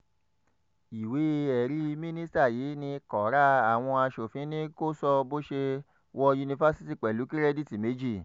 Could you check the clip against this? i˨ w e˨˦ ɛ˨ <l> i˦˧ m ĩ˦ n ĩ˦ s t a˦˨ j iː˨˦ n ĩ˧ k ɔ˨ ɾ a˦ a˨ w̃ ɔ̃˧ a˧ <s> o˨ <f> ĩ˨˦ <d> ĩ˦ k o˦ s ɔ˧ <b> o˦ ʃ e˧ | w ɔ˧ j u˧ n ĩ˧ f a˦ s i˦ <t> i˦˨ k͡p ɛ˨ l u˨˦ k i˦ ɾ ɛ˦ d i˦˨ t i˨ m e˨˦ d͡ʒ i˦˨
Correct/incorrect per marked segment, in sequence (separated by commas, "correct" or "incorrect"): incorrect, incorrect, correct, incorrect, correct, correct